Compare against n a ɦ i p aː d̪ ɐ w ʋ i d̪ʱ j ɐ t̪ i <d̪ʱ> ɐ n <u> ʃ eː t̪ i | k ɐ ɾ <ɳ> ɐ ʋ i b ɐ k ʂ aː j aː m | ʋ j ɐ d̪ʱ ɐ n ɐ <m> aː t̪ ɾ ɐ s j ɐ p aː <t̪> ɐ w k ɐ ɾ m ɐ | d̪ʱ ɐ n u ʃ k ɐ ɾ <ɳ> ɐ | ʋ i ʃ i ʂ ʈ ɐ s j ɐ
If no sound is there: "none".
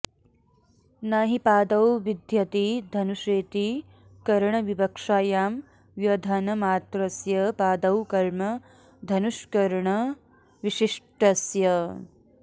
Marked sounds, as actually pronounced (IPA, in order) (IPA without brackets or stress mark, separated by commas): d̪ʱ, u, ɳ, m, d̪, ɳ